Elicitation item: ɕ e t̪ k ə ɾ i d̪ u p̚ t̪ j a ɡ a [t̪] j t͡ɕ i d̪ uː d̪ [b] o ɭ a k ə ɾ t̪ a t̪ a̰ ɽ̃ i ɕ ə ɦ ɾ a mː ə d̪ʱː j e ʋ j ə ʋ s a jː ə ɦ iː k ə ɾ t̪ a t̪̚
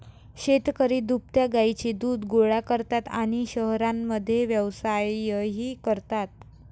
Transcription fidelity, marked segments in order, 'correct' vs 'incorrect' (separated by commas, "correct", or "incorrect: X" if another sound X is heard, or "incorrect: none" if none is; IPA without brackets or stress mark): incorrect: none, incorrect: ɡ